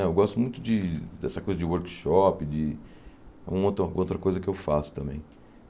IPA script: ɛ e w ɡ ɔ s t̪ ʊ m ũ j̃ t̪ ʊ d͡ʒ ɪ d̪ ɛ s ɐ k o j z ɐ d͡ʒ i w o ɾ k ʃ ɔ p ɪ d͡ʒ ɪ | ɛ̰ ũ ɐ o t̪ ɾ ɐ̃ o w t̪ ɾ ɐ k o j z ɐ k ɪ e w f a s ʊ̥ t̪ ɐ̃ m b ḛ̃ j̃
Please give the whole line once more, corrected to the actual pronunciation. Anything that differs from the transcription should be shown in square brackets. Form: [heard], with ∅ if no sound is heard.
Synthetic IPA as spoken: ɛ e w ɡ ɔ s t̪ ʊ m ũ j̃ t̪ ʊ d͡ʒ ɪ d̪ ɛ s ɐ k o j z ɐ d͡ʒ [ɪ] w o ɾ k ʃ ɔ p ɪ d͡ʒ ɪ | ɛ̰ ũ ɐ o t̪ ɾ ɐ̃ o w t̪ ɾ ɐ k o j z ɐ k ɪ e w f a s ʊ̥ t̪ ɐ̃ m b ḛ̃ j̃